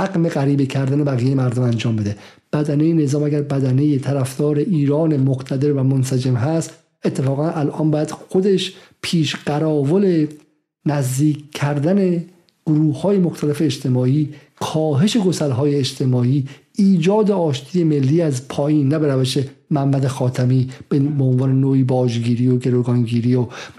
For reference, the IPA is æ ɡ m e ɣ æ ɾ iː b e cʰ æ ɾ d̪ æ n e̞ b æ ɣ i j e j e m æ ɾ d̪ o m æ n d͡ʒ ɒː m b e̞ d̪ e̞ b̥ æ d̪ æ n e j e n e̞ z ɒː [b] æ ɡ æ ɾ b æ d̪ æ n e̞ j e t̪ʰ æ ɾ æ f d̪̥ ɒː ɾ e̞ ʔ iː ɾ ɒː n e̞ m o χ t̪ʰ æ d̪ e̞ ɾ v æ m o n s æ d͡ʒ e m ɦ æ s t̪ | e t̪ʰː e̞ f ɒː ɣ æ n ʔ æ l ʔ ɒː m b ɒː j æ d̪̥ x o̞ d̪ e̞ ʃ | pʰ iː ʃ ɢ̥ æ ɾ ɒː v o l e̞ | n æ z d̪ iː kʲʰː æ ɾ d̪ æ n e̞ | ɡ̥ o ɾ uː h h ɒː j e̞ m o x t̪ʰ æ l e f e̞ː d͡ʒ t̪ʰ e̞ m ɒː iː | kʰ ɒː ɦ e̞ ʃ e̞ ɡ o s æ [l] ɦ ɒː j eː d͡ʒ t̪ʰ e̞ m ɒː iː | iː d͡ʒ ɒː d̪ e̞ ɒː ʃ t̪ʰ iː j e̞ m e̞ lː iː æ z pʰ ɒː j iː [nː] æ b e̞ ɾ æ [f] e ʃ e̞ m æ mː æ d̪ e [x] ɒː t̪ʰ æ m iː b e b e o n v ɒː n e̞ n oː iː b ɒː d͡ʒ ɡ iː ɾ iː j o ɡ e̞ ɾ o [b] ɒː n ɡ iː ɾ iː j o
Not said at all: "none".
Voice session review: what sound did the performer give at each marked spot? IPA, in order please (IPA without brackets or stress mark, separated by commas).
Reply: m, l, nː, v, x, ɡ